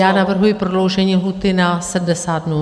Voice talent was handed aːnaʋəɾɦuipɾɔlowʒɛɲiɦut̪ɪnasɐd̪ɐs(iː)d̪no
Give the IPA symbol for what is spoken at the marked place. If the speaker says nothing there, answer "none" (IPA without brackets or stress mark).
aː